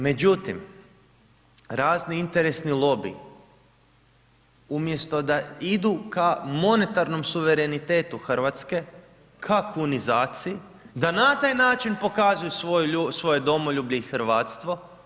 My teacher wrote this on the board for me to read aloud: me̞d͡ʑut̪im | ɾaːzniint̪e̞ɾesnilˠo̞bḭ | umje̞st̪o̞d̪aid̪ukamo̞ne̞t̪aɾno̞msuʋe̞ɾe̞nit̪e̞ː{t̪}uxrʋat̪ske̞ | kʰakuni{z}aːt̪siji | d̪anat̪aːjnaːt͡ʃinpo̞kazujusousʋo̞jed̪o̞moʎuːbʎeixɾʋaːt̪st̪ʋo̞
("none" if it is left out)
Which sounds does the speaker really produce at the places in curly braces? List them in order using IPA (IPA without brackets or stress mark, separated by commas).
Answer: t̪, z